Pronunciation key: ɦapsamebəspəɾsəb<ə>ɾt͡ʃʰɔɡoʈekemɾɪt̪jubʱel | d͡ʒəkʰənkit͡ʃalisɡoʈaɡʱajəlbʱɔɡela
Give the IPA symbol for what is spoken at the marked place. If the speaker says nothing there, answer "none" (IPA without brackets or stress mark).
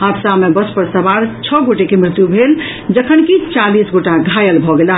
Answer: a